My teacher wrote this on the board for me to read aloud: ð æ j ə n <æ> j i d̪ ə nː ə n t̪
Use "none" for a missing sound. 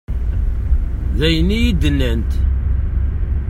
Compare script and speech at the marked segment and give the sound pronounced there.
i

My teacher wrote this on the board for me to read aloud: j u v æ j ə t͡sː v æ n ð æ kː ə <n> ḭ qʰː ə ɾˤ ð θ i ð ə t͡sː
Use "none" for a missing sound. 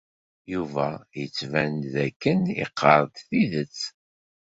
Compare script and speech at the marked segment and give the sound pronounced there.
n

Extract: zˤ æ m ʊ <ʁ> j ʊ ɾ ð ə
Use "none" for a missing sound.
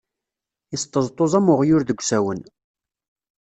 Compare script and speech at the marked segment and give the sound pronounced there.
ʁ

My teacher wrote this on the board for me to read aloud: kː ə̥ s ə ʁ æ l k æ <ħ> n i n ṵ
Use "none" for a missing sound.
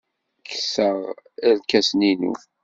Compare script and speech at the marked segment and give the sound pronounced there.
s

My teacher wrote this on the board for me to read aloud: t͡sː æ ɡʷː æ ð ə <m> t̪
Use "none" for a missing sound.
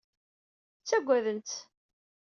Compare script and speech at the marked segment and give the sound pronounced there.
n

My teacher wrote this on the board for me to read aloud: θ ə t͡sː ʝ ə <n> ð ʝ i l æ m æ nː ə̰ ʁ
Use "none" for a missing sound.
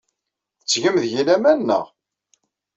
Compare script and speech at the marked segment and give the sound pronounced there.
m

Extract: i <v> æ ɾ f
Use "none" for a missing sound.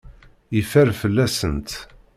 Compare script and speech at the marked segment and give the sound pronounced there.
f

